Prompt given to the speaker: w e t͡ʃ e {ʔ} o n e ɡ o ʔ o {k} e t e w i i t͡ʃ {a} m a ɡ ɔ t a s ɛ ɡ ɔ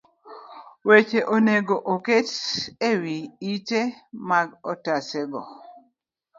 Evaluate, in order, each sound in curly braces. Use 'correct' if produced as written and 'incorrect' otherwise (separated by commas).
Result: correct, correct, incorrect